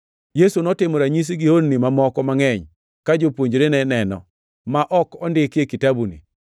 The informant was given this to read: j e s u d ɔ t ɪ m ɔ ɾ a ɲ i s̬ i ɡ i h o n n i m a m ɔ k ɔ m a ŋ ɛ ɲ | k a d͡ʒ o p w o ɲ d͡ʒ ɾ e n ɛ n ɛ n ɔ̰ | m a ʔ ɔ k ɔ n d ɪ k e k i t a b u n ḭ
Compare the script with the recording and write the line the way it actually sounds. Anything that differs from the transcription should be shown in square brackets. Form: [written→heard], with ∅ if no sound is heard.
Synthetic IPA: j e s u [d→n] ɔ t ɪ m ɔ ɾ a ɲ i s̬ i ɡ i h o n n i m a m ɔ k ɔ m a ŋ ɛ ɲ | k a d͡ʒ o p w o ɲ d͡ʒ ɾ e n ɛ n ɛ n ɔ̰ | m a ʔ ɔ k ɔ n d ɪ k e k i t a b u n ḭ